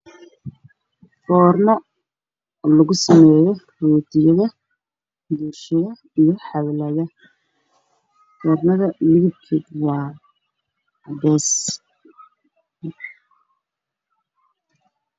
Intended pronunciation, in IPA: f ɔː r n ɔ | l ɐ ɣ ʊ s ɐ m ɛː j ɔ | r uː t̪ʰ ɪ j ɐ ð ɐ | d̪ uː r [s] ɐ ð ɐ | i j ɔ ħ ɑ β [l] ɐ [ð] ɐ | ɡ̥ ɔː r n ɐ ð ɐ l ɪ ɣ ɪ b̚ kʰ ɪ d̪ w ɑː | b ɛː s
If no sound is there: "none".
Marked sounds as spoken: ʃ, l, ð

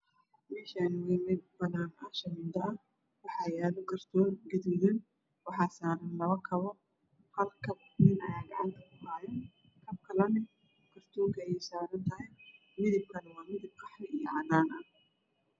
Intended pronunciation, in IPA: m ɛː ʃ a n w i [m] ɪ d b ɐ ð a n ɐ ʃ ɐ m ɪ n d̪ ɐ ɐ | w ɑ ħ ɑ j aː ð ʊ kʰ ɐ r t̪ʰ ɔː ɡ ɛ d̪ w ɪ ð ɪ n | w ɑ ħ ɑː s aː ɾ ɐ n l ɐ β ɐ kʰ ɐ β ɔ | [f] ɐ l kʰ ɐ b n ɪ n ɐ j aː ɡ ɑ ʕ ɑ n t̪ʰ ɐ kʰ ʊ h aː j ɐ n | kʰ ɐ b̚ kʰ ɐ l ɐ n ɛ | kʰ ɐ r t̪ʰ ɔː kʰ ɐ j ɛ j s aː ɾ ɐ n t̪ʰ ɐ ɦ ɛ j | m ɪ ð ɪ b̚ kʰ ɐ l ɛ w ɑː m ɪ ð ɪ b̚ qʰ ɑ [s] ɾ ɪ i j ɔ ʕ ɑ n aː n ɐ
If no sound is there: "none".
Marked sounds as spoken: m, h, ħ

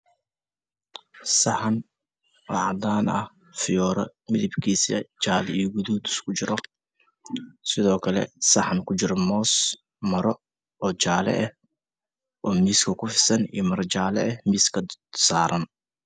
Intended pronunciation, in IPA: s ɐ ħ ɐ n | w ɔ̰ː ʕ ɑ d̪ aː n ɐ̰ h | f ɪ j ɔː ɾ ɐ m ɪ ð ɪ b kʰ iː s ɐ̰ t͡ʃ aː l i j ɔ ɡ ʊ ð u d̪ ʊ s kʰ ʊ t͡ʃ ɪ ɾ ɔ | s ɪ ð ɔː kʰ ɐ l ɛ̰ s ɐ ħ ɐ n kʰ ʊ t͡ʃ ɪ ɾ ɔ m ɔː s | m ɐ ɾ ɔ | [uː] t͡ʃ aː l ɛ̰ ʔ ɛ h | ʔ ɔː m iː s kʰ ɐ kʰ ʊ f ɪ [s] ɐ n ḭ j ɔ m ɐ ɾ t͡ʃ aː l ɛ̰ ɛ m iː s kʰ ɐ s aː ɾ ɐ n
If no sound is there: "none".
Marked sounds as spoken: ɔː, s

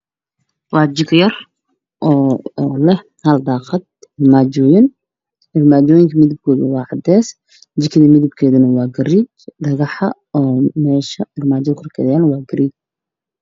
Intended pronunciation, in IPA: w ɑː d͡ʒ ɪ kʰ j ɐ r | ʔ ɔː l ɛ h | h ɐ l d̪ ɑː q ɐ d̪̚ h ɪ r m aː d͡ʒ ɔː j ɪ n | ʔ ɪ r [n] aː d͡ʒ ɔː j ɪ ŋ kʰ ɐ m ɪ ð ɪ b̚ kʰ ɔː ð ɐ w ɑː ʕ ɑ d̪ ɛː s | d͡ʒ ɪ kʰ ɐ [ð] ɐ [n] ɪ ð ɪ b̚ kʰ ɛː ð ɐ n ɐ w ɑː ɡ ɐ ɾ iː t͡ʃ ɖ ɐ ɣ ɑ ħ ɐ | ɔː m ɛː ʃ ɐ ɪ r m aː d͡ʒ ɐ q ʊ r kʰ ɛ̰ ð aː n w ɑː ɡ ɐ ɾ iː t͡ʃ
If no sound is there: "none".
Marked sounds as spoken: m, ð, m

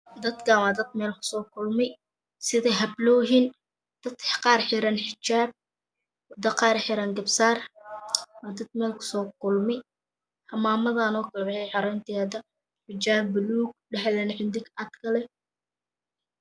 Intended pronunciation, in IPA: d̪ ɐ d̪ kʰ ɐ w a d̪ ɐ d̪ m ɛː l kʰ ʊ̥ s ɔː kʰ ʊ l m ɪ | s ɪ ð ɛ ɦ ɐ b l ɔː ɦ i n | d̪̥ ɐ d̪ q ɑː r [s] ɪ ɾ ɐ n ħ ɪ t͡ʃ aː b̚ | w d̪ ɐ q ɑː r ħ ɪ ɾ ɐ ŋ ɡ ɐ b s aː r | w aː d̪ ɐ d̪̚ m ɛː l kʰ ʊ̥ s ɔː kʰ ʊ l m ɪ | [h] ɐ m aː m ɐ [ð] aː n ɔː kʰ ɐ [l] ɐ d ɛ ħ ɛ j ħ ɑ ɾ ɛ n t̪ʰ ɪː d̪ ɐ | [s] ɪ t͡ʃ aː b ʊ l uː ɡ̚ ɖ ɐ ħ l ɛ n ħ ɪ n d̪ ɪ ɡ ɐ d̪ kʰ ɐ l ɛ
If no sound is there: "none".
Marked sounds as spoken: ħ, h, ð, l, ħ

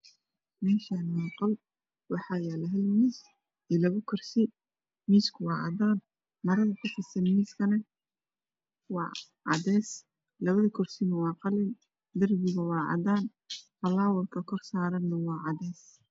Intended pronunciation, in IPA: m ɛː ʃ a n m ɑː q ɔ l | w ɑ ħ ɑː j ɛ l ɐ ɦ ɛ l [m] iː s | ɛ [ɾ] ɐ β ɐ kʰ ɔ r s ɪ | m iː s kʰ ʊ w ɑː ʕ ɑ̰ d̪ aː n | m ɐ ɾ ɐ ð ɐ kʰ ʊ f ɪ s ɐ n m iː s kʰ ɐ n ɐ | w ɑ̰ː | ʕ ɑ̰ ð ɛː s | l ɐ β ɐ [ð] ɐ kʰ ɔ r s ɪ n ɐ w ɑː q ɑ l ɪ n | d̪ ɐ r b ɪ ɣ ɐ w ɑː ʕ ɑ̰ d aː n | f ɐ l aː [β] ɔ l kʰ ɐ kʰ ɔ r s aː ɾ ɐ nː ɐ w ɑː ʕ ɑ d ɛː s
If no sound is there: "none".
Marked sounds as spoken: m, l, ð, w

